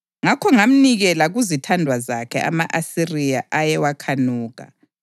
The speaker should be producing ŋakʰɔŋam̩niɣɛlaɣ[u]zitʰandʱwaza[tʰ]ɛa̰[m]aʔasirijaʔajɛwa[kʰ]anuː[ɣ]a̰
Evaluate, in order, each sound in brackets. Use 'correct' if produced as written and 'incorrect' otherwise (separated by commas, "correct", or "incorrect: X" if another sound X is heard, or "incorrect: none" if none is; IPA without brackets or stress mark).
correct, incorrect: kʰ, correct, correct, correct